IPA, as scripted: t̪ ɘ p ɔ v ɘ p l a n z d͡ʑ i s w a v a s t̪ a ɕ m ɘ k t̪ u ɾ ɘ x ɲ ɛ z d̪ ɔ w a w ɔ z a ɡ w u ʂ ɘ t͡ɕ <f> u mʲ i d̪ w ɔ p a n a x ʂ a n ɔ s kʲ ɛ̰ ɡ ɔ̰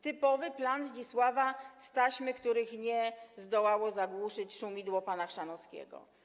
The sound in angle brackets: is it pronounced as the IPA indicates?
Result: no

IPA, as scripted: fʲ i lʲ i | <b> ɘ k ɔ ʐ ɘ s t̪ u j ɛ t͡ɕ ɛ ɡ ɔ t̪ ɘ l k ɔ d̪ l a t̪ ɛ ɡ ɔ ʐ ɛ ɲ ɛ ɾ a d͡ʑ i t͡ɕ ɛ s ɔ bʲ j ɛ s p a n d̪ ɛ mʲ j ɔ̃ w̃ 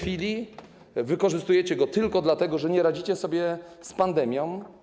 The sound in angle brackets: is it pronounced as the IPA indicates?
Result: no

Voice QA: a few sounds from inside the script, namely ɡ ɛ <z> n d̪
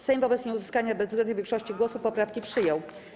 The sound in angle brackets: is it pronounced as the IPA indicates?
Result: no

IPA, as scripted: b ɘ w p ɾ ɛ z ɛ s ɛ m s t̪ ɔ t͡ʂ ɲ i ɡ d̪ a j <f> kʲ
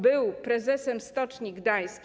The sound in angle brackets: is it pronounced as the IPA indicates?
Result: no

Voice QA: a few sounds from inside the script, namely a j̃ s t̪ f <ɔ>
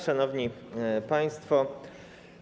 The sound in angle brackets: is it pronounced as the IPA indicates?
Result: yes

